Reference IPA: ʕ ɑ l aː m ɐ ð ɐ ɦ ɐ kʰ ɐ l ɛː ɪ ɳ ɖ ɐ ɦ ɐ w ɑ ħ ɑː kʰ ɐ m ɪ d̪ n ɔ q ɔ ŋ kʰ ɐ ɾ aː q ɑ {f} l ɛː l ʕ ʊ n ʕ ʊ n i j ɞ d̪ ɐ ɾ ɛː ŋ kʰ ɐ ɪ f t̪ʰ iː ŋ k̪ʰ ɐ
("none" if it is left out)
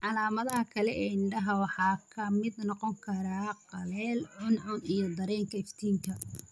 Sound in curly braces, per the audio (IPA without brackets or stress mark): none